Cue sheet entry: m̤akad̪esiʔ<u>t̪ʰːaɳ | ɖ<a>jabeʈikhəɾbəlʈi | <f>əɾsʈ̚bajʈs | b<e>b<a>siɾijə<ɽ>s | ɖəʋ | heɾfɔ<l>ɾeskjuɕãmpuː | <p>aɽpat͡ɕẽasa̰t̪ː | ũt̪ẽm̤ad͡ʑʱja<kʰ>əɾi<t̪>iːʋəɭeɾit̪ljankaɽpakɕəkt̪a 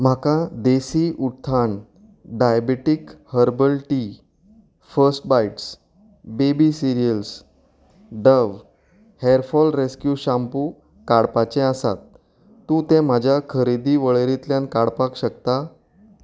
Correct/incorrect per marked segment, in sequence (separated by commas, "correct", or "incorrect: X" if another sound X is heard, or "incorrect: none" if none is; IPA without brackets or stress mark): correct, correct, correct, correct, incorrect: i, incorrect: l, correct, incorrect: k, correct, incorrect: d̪